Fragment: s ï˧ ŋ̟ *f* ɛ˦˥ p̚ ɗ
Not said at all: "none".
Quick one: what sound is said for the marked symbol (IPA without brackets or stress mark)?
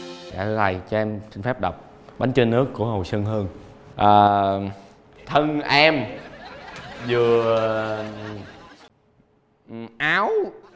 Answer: f